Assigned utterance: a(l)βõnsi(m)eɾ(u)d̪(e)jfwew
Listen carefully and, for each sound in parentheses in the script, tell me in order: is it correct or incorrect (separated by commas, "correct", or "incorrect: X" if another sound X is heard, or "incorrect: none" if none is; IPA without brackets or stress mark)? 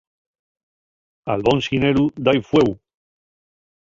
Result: correct, incorrect: n, correct, incorrect: a